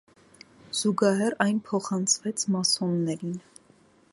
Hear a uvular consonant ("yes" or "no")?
yes